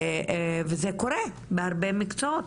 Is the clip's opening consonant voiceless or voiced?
voiced